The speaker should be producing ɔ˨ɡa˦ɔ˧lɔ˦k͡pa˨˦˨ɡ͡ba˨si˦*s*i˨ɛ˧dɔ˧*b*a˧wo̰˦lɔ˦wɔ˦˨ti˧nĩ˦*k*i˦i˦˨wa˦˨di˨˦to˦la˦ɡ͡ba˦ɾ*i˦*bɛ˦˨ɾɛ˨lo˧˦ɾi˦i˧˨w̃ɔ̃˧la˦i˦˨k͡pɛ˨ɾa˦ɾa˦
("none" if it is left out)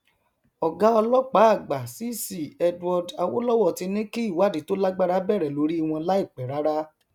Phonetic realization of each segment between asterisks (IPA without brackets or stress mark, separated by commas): s, d, k, a˦